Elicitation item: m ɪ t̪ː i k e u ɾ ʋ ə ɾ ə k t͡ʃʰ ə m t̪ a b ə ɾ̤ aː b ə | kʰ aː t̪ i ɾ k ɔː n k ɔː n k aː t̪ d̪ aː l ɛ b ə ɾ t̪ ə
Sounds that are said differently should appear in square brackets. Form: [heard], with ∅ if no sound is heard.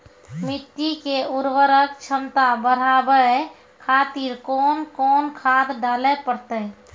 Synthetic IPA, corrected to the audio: m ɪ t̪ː i k e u ɾ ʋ ə ɾ ə k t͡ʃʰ ə m t̪ a b ə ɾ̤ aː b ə | kʰ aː t̪ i ɾ k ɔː n k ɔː n [kʰ] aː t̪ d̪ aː l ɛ [p] ə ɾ t̪ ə